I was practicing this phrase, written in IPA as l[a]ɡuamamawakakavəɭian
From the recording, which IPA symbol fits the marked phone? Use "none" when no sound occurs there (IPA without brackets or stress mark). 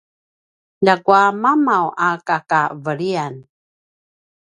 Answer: a